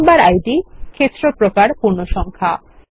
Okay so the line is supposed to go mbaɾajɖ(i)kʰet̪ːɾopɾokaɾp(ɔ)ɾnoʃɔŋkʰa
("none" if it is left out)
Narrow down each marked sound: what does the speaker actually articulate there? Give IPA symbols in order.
i, u

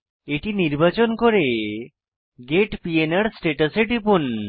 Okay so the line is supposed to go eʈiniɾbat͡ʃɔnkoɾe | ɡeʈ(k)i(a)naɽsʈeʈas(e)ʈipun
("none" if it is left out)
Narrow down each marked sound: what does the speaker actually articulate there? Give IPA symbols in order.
p, e, e

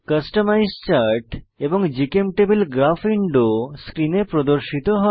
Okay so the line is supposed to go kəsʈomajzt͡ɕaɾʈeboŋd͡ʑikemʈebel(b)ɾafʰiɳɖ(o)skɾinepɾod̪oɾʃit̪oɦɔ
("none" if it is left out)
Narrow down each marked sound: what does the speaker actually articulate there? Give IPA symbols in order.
ɡ, o

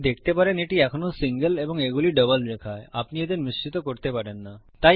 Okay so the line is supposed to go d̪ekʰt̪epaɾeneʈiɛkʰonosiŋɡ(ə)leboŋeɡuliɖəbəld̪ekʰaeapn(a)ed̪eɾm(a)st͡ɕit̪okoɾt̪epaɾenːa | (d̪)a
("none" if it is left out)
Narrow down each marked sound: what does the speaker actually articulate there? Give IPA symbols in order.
ə, i, i, t̪

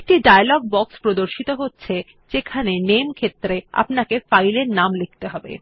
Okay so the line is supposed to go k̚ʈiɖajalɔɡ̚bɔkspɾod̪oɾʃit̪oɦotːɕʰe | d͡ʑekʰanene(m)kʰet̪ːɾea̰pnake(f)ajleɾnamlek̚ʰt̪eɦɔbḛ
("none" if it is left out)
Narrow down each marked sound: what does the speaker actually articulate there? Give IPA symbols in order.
m, f

